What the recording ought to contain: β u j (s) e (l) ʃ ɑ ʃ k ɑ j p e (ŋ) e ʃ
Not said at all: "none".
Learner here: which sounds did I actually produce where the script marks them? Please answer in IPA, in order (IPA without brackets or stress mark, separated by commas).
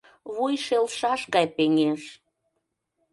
ʃ, l, ŋ